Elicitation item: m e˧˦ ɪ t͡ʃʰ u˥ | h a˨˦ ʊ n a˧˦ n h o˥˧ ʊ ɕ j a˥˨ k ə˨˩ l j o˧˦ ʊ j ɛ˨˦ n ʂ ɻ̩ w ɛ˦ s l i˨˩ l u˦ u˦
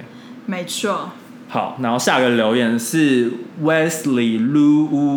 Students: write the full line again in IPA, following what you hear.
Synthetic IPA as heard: m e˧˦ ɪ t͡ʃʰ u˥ | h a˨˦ ʊ n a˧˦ n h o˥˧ ʊ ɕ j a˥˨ ɡ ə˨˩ l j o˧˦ ʊ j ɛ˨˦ n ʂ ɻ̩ w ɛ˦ s l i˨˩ l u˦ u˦